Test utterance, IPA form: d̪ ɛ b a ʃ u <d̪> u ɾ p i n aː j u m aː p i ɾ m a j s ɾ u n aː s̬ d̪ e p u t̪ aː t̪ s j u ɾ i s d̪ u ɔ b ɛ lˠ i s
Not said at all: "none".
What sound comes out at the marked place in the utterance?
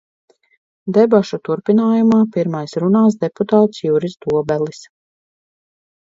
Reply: t̪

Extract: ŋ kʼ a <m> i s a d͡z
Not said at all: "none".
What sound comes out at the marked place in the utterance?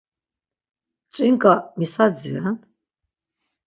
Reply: m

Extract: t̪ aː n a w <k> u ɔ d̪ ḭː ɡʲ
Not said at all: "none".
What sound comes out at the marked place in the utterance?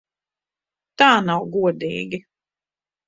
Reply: ɡ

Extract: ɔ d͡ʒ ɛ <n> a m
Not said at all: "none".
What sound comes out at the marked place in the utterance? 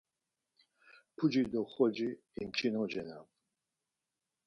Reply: n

